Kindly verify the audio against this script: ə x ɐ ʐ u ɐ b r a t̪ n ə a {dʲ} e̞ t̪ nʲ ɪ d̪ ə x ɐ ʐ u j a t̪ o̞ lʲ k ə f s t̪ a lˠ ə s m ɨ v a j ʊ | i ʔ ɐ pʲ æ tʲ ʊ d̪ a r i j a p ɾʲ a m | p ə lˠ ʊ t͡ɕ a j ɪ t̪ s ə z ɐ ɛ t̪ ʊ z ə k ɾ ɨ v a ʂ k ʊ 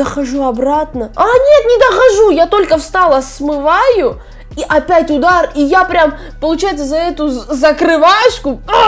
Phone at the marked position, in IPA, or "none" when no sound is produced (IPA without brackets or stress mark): nʲ